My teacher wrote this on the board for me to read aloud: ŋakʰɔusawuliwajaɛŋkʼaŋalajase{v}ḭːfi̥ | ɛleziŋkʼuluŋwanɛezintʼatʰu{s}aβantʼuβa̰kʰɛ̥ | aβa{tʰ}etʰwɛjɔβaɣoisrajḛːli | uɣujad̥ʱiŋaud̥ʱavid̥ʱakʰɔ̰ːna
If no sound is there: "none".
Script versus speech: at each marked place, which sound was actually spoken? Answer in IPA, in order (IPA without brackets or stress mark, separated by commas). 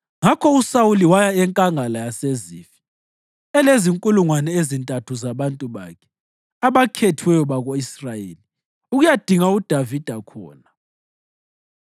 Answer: z, z, kʰ